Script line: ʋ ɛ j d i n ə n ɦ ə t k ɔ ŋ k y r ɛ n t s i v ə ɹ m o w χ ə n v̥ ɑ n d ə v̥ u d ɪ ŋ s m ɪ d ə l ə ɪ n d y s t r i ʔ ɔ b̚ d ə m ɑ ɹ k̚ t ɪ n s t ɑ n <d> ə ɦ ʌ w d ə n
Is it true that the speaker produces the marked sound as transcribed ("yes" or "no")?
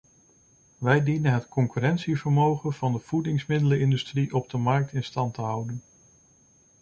no